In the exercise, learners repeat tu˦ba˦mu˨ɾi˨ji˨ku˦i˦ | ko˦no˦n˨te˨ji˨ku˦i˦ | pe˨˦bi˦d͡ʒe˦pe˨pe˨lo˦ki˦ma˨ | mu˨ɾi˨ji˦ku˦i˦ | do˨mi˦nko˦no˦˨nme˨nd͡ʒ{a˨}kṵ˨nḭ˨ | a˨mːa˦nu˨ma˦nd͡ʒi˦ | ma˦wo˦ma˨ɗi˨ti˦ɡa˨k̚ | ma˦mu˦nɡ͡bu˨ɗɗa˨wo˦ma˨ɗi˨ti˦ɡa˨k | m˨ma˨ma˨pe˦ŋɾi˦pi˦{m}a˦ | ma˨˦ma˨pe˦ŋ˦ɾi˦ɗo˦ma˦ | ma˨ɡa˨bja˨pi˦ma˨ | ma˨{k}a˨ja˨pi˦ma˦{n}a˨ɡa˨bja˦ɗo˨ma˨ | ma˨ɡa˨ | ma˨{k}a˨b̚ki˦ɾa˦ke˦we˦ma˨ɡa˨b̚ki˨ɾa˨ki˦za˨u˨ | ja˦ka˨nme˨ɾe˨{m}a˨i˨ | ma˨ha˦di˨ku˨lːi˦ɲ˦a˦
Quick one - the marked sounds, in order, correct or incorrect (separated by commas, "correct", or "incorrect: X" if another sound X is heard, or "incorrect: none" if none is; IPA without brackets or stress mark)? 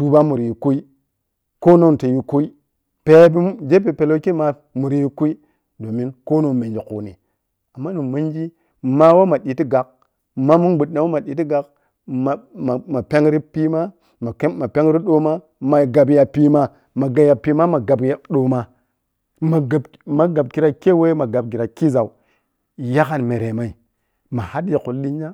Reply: incorrect: i˨, correct, incorrect: ɡ, incorrect: m, incorrect: ɡ, correct